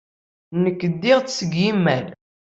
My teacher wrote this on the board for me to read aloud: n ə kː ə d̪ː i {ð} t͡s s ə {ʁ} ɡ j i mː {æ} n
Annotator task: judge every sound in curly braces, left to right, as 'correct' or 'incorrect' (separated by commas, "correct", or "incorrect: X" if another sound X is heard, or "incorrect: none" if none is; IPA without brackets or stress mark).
incorrect: ʁ, incorrect: none, correct